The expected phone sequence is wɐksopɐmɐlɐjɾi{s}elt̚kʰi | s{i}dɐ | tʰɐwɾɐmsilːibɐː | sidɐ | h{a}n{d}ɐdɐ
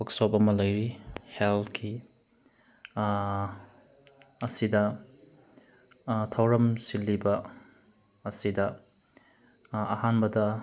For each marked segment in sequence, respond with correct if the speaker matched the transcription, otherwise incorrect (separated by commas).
incorrect, correct, correct, incorrect